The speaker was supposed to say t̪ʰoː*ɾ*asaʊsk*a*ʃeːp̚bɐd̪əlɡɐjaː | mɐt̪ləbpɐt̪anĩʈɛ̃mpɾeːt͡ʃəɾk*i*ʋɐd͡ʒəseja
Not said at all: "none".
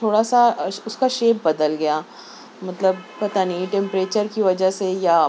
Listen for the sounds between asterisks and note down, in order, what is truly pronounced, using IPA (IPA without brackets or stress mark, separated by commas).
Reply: ɽ, a, i